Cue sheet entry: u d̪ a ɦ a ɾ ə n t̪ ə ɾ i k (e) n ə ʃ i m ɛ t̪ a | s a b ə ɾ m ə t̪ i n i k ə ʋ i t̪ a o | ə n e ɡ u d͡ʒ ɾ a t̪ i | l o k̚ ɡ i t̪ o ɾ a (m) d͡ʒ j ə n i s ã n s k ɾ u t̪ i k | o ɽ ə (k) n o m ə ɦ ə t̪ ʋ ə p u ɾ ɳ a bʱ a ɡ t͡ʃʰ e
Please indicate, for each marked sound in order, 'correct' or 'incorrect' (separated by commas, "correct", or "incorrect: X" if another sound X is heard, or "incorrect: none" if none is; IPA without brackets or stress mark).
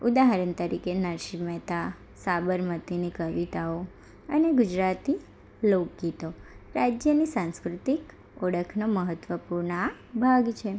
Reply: correct, incorrect: none, incorrect: kʰ